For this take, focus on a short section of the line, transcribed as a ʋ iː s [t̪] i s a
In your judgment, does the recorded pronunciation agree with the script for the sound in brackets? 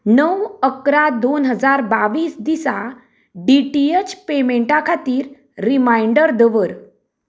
no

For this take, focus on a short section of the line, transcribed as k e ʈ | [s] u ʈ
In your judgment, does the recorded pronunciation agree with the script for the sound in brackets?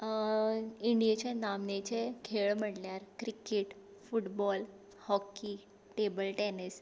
no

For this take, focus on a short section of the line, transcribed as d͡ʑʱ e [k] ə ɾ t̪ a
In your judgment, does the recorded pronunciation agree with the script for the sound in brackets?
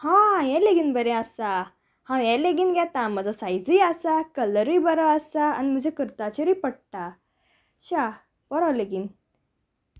yes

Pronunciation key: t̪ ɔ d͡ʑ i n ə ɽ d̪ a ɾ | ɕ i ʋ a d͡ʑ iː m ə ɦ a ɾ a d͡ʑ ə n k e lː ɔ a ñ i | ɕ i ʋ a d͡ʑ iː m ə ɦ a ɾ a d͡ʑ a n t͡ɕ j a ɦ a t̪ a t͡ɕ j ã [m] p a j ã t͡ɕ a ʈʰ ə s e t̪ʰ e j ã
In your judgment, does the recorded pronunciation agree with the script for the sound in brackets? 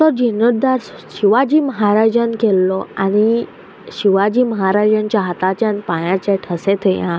no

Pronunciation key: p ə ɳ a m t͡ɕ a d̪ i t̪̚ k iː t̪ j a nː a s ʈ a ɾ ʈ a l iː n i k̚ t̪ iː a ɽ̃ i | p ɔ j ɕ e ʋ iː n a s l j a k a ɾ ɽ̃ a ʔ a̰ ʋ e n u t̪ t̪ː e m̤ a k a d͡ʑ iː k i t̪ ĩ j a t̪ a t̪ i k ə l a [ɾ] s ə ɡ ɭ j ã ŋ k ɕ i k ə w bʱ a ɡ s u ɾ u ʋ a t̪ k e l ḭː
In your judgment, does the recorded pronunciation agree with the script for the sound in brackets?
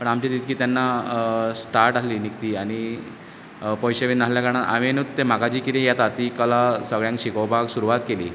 no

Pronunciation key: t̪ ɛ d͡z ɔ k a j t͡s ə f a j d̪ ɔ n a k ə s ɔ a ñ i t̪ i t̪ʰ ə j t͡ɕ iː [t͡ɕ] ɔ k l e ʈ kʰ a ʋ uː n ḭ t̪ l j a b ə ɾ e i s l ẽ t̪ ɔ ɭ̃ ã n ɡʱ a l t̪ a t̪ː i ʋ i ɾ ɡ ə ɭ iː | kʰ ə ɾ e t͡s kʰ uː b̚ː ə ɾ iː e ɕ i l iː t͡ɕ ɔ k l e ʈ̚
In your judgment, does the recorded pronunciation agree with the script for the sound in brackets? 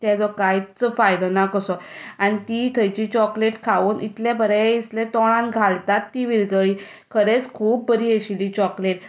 yes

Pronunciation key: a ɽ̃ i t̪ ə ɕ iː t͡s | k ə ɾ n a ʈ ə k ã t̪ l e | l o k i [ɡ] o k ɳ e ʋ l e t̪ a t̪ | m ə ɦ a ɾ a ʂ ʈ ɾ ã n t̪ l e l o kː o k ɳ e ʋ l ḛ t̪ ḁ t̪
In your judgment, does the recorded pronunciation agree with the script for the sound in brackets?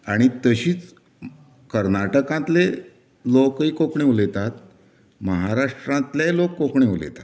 no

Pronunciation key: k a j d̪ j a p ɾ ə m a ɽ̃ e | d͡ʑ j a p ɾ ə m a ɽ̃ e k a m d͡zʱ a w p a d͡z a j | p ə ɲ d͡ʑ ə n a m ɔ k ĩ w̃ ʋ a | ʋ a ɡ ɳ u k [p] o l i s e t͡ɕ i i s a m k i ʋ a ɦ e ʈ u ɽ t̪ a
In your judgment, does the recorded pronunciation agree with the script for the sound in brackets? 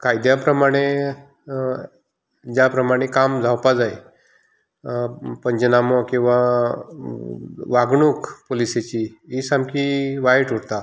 yes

